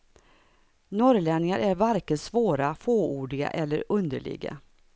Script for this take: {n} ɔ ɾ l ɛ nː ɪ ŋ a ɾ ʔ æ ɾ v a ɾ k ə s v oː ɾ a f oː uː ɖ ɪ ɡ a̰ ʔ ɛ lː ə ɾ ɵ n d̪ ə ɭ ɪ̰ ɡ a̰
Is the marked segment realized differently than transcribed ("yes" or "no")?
no